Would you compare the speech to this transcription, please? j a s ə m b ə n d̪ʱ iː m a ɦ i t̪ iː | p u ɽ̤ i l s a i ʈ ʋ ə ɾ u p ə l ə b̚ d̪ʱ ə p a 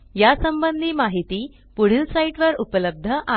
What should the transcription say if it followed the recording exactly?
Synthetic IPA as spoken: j a s ə m b ə n d̪ʱ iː m a ɦ i t̪ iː | p u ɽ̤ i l s a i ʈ ʋ ə ɾ u p ə l ə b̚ d̪ʱ ə ʔ a